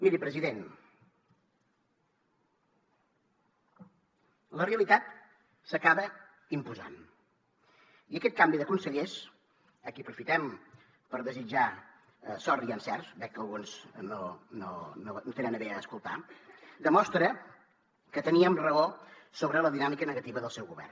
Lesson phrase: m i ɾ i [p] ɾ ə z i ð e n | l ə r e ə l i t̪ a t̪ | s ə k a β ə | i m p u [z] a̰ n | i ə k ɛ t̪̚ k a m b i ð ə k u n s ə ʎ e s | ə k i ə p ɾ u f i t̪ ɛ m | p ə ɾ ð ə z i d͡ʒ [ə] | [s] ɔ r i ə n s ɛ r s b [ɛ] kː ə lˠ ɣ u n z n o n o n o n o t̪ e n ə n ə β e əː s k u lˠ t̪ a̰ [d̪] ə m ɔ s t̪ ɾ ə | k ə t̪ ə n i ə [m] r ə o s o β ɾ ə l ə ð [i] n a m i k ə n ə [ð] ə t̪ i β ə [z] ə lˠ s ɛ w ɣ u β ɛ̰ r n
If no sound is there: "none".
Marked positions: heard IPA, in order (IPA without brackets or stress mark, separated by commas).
p, z, a, s, ɛ, d̪, m, i, ɣ, ð